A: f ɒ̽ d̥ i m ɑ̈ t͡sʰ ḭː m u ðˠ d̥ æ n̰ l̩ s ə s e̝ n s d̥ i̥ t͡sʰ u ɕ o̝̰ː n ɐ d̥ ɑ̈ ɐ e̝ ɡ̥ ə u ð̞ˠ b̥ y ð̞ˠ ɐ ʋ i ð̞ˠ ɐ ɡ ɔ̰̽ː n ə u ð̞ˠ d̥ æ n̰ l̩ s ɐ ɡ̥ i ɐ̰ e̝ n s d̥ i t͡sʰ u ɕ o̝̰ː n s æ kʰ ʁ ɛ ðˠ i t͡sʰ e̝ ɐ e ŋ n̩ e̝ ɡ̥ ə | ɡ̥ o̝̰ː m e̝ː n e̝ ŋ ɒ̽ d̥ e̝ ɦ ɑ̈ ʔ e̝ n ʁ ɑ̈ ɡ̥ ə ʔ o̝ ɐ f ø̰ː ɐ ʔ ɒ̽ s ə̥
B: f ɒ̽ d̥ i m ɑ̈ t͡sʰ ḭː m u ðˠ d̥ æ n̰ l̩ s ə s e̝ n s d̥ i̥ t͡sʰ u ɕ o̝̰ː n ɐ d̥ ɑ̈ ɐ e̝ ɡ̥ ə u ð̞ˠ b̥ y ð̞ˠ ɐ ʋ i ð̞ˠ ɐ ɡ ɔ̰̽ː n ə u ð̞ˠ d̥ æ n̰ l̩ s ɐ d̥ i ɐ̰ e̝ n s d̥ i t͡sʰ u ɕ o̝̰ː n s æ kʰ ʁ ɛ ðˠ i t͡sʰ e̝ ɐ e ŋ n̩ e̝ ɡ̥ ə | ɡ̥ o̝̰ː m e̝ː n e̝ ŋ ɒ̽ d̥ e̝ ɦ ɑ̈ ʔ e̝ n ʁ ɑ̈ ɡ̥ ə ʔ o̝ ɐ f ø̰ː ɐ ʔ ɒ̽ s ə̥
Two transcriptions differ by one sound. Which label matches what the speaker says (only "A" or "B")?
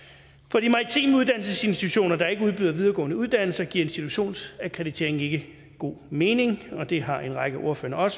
A